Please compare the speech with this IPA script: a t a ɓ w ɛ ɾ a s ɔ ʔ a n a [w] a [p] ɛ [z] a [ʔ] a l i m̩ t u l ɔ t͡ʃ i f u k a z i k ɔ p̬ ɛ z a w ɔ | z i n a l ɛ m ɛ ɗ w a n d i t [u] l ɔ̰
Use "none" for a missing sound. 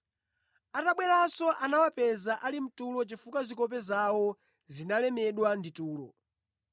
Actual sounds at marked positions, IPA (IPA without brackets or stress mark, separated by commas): w, p, z, ʔ, uː